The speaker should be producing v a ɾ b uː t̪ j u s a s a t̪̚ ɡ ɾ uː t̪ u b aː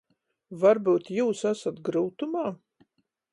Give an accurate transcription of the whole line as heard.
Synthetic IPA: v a ɾ b uː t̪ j uː s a s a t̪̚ ɡ ɾ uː t̪ u m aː

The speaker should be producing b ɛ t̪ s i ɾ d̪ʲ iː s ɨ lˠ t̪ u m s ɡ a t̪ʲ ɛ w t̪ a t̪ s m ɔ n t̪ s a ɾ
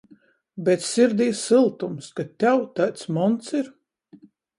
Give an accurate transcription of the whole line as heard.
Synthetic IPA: b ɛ t̪ s i ɾ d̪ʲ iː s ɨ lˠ t̪ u m s k a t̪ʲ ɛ w t̪ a t̪ s m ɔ n t̪ s i ɾ

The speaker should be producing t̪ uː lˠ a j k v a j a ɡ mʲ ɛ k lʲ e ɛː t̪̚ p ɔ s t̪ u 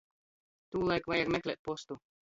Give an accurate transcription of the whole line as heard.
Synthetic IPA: t̪ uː lˠ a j k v a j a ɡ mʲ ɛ k lʲ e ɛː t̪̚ p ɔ s t̪ u

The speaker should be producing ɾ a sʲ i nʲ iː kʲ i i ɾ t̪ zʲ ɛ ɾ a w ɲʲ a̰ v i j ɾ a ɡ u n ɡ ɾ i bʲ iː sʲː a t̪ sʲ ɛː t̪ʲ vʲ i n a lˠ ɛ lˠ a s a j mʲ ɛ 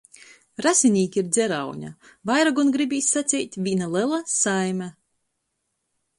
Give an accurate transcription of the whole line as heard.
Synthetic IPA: ɾ a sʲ i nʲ iː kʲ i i ɾ d̪ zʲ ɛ ɾ a w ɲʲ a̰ v a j ɾ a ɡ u n ɡ ɾ i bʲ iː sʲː a t̪ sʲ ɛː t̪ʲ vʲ i n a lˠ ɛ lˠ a s a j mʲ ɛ

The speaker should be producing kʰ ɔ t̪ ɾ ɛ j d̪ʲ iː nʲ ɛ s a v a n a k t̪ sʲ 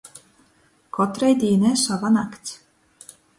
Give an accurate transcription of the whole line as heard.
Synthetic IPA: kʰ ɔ t̪ ɾ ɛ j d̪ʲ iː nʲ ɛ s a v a n a k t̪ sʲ

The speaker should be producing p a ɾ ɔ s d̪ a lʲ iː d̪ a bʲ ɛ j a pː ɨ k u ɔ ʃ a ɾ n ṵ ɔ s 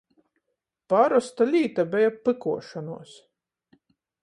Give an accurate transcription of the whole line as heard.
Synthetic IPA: p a ɾ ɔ s t̪ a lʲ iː t̪ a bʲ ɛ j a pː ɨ k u ɔ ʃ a n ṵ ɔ s

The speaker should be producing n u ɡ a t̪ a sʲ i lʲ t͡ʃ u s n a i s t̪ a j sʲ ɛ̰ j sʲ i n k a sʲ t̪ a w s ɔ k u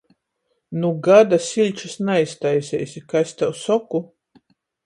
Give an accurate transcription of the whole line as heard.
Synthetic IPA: n u ɡ a d̪ a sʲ i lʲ t͡ʃ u s n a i s t̪ a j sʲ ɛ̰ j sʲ i k a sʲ t̪ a w s ɔ k u

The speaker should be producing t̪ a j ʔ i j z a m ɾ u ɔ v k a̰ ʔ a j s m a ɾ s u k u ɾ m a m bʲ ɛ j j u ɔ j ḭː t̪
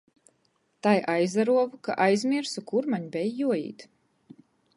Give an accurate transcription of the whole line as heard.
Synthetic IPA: t̪ a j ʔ a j z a ɾ u ɔ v k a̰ ʔ a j z m i ɾ s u k u ɾ m a ɲ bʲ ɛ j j u ɔ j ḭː t̪

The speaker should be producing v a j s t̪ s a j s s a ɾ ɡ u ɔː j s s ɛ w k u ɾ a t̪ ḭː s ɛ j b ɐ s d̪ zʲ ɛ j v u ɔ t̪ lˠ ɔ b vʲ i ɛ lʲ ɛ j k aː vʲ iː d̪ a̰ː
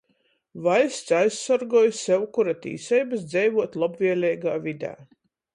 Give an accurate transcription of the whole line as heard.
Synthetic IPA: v a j s t̪ s a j s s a ɾ ɡ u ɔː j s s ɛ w k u ɾ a t̪ ḭː s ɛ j b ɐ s d̪ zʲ ɛ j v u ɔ t̪ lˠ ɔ b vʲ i ɛ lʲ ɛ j ɡ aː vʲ i d̪ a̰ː

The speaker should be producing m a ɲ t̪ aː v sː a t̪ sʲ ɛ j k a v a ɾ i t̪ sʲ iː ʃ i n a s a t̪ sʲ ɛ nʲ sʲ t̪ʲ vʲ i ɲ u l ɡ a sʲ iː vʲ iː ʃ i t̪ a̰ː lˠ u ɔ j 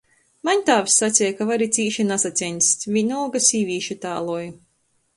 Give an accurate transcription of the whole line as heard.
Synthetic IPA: m a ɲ t̪ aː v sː a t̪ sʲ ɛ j k a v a ɾ i t̪ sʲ iː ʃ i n a s a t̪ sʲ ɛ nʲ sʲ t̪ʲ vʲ i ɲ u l ɡ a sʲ iː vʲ iː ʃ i t̪ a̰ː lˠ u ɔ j

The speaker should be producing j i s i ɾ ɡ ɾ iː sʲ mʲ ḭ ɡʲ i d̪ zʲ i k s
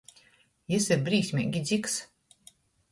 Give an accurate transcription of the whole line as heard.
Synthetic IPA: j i s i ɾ b ɾ iː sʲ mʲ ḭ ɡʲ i d̪ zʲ i k s

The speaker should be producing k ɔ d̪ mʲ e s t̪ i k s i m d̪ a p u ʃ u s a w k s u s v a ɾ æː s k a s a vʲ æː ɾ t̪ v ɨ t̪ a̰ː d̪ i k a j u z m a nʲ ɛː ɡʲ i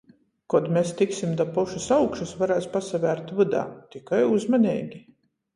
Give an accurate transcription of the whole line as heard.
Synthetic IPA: k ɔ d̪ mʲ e s t̪ i k s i m d̪ a p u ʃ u s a w k ʃ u s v a ɾ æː s p a s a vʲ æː ɾ t̪ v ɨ d̪ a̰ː t̪ i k a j u z m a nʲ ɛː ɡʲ i

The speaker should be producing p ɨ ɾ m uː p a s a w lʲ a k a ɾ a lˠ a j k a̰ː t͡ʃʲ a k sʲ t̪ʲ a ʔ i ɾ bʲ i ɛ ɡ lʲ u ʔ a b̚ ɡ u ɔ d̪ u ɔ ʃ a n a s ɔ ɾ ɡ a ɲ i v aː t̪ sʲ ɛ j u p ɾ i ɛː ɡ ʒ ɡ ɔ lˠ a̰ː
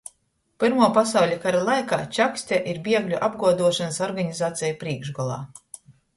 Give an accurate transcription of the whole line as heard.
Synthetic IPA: p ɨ ɾ m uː p a s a w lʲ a k a ɾ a lˠ a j k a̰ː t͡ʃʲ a k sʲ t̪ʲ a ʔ i ɾ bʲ i ɛ ɡ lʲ u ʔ a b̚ ɡ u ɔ d̪ u ɔ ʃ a n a s ɔ ɾ ɡ a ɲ i z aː t̪ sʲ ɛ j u p ɾ i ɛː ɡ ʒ ɡ ɔ lˠ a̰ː

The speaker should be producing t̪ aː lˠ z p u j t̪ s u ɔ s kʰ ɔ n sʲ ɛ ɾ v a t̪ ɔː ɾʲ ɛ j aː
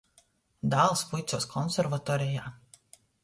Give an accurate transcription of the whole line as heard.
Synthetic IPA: d̪ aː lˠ s p u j t̪ s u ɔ s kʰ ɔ n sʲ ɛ ɾ v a t̪ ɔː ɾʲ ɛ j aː

